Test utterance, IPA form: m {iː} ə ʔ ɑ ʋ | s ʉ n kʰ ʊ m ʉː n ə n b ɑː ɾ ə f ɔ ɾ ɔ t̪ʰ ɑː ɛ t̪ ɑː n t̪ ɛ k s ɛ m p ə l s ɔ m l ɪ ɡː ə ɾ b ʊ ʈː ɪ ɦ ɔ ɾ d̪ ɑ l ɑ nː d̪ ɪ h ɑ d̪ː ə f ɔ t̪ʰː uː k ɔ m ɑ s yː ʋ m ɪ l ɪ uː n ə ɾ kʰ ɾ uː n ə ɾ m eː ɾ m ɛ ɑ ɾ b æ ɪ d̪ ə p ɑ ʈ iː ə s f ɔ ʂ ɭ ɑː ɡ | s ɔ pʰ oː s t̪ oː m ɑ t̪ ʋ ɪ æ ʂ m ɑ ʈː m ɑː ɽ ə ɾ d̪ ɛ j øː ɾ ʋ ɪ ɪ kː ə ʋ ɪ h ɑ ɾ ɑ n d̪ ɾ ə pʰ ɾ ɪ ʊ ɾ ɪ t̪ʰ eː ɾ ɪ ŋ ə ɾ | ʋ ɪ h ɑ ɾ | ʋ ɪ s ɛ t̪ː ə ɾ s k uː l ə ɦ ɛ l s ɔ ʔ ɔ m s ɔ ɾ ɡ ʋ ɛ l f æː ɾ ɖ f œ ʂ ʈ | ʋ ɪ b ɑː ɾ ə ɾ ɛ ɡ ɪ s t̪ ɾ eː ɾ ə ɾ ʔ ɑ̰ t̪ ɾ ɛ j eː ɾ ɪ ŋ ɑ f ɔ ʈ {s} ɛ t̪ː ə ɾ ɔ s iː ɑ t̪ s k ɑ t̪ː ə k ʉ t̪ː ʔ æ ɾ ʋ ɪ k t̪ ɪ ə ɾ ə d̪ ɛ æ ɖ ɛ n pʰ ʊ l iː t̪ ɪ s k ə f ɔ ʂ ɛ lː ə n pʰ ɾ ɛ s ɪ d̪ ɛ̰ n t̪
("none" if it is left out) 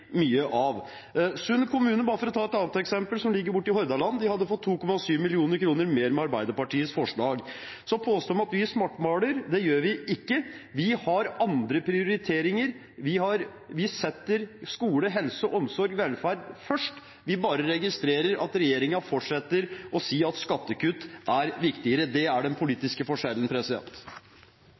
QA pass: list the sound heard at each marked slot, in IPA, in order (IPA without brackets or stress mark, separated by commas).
yː, ʂ